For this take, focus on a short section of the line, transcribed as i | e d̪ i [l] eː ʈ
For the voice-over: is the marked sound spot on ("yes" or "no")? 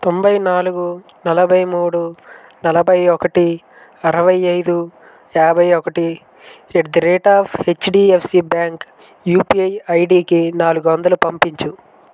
no